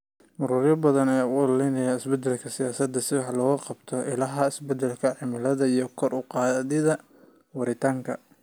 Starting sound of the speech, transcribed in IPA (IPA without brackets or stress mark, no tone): m